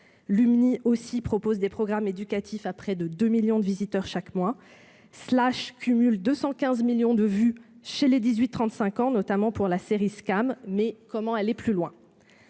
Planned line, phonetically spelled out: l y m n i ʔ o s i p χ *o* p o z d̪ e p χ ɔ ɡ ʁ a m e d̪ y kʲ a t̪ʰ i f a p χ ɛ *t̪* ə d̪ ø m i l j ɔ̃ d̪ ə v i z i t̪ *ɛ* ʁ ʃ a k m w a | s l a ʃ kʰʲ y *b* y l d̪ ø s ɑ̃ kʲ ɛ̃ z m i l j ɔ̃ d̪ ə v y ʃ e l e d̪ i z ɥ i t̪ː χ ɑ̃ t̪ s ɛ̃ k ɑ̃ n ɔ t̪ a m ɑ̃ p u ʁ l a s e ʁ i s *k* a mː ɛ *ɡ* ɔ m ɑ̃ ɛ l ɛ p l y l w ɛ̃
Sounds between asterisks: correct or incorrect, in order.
incorrect: ɔ, incorrect: d̪, incorrect: œ, incorrect: m, correct, incorrect: k

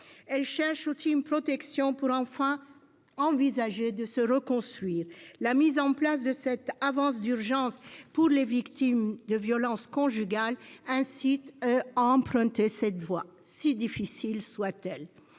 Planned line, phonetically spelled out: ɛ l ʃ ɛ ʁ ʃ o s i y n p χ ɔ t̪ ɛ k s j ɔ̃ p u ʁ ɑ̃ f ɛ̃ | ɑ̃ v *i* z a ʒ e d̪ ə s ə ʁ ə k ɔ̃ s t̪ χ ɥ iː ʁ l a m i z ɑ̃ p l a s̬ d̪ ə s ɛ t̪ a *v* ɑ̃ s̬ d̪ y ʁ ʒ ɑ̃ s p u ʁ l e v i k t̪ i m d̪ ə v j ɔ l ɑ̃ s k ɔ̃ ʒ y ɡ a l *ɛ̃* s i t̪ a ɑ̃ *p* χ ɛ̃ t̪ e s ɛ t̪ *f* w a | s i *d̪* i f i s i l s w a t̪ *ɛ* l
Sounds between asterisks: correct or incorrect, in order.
correct, correct, correct, correct, incorrect: v, correct, correct

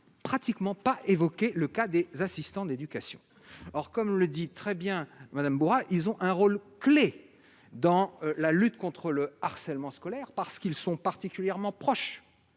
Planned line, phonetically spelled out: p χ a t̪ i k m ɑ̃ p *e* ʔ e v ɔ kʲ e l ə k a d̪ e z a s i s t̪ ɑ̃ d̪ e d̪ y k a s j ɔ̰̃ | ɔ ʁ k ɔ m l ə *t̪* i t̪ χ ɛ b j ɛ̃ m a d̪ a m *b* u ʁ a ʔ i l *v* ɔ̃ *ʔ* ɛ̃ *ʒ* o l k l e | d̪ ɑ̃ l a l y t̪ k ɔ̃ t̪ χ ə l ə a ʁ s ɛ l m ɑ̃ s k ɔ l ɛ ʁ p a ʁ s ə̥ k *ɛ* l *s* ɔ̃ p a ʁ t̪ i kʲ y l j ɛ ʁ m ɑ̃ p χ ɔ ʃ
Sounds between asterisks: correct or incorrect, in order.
incorrect: a, incorrect: d̪, correct, incorrect: z, correct, incorrect: ʁ, incorrect: i, correct

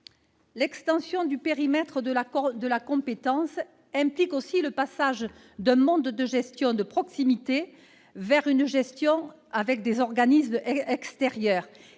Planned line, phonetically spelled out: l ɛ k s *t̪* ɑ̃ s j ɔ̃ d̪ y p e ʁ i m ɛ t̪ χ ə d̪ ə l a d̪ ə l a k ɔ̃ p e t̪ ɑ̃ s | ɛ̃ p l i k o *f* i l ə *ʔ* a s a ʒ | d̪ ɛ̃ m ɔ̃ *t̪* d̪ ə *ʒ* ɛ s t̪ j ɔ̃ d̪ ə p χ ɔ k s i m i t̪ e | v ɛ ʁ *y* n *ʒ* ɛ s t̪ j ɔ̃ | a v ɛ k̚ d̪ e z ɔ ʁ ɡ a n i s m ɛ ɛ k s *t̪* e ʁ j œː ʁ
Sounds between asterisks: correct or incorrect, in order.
correct, incorrect: s, incorrect: p, incorrect: d̪, correct, correct, correct, correct

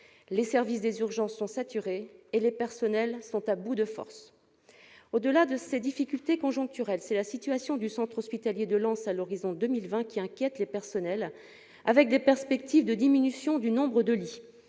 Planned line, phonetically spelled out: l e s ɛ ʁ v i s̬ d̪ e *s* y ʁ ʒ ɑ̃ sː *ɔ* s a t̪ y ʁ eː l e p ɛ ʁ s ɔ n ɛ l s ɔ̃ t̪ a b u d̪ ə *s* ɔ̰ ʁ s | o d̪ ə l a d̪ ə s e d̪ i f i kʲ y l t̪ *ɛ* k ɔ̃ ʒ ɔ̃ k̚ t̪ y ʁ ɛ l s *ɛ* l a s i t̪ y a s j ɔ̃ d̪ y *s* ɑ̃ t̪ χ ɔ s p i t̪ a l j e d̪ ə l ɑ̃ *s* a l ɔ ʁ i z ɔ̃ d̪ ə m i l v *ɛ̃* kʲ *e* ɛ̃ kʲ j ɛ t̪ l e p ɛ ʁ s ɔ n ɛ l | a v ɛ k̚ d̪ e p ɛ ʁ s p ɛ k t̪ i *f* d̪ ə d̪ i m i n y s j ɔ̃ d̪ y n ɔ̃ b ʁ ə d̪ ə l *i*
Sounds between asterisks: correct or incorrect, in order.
incorrect: z, incorrect: ɔ̃, incorrect: f, incorrect: e, correct, correct, correct, correct, incorrect: i, incorrect: v, correct

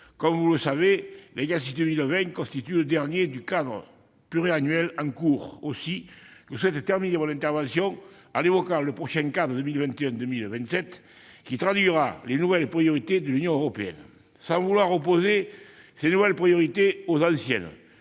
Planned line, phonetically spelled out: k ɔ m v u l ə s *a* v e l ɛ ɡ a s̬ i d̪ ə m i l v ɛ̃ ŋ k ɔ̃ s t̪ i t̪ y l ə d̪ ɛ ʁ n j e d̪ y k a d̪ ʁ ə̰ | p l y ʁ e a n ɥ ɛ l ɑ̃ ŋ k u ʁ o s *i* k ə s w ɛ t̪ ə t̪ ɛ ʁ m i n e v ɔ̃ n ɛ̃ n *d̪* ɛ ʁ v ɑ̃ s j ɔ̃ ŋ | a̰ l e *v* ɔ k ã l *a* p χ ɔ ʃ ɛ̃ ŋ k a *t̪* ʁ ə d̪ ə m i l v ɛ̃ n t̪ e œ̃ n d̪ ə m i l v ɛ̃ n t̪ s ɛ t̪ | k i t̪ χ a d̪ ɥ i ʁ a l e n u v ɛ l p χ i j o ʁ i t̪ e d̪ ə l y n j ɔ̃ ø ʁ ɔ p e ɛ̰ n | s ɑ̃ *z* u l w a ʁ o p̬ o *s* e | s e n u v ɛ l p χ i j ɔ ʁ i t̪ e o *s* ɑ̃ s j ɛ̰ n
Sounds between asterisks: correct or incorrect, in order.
correct, correct, incorrect: t̪, correct, incorrect: ə, incorrect: d̪, incorrect: v, incorrect: z, incorrect: z

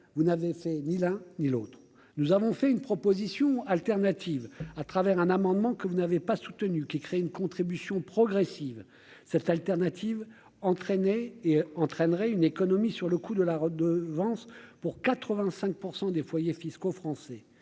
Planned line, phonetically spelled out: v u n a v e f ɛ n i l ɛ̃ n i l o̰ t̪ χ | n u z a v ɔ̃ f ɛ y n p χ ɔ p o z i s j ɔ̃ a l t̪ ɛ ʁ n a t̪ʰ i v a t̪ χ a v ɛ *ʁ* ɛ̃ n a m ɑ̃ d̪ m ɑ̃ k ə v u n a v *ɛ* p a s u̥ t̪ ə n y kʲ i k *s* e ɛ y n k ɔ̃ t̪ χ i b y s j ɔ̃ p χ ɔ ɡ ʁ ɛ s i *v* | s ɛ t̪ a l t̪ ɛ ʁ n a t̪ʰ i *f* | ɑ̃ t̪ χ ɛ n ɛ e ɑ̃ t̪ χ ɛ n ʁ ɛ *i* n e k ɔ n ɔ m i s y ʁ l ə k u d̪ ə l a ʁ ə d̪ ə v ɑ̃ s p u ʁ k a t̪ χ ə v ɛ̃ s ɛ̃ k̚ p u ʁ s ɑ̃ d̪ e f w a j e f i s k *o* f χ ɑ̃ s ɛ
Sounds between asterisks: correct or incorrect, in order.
correct, incorrect: e, incorrect: χ, correct, incorrect: v, incorrect: y, correct

